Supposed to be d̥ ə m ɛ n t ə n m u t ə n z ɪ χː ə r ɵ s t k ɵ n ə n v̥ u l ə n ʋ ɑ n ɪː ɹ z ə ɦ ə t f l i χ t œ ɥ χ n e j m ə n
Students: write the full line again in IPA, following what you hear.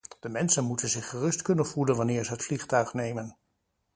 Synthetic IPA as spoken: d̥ ə m ɛ n s ə n m u t ə n z ɪ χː ə r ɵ s t k ɵ n ə n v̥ u l ə n ʋ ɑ n ɪː ɹ z ə ɦ ə t f l i χ t œ ɥ χ n e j m ə n